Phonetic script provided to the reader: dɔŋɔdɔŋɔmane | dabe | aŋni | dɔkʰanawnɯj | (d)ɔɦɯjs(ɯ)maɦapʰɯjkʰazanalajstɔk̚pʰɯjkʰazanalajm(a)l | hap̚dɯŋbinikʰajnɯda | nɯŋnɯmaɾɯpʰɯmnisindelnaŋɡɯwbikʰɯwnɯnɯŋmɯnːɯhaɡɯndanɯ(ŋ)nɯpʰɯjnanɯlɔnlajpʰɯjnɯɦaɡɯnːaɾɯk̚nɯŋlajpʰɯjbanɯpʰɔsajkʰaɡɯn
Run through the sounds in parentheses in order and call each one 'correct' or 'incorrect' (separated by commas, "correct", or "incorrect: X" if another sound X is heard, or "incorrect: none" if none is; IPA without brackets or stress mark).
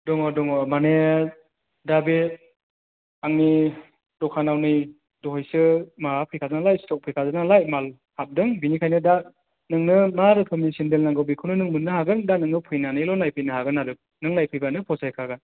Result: correct, correct, correct, correct